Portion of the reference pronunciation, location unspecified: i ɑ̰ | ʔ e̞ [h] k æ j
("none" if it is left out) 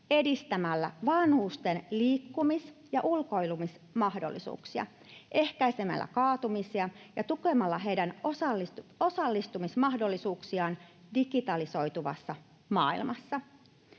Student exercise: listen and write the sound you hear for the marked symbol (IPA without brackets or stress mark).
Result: h